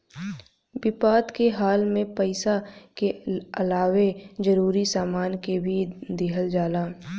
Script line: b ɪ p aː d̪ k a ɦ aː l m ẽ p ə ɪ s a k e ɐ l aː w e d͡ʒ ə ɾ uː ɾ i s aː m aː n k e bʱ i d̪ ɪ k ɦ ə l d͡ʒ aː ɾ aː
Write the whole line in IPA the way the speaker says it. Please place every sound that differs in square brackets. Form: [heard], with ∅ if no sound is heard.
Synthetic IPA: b ɪ p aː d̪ k [e] ɦ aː l m ẽ p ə ɪ s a k e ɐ l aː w e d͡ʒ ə ɾ uː ɾ i s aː m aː n k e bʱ i d̪ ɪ [∅] ɦ ə l d͡ʒ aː [l] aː